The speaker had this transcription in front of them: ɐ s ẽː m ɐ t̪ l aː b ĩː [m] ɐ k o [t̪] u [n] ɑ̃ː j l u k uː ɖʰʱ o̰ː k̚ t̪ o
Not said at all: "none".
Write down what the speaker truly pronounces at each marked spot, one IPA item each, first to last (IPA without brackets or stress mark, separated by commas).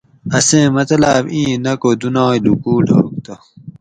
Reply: n, d̪, n